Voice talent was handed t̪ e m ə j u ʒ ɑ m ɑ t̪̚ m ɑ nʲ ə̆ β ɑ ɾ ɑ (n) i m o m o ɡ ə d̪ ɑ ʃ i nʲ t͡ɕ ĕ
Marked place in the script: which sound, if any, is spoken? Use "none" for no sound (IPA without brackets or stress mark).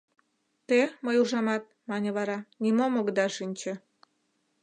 n